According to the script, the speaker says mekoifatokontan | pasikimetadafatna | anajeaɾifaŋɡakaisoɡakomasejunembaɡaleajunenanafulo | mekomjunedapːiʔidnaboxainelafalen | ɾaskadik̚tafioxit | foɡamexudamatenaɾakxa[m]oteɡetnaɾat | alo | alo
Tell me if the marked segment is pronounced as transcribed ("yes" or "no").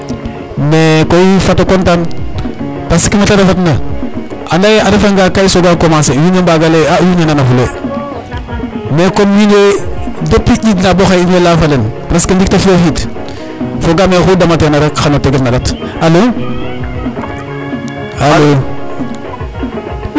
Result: no